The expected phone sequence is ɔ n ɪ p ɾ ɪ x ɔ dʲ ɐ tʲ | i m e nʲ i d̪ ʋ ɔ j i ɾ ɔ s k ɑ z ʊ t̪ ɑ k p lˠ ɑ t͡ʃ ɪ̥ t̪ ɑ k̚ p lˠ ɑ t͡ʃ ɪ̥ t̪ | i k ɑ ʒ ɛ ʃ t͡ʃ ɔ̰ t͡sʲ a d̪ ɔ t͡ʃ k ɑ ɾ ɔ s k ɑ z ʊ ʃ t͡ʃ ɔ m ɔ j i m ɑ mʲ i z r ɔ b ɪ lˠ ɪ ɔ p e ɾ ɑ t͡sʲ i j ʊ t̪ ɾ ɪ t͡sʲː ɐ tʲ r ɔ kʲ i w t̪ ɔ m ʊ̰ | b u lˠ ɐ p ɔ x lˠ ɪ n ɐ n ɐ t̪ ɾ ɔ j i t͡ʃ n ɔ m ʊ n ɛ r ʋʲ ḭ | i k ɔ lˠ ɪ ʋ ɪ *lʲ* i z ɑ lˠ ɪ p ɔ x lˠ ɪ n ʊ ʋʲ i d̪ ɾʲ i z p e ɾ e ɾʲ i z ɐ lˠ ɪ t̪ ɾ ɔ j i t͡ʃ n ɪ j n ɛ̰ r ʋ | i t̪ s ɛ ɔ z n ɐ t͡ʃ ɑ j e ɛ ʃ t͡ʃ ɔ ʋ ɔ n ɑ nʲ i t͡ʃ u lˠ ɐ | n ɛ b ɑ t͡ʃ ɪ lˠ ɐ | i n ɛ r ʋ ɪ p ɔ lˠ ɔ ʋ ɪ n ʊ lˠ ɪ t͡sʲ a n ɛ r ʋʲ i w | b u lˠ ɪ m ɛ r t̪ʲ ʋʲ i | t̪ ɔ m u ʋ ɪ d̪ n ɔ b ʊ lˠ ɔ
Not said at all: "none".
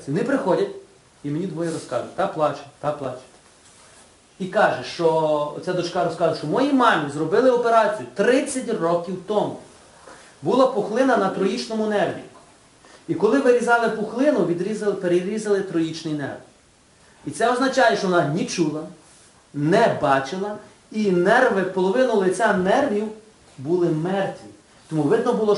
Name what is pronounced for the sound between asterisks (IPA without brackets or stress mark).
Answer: ɾʲ